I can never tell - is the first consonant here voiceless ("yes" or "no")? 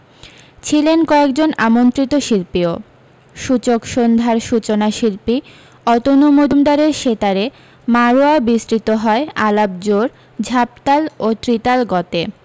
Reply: yes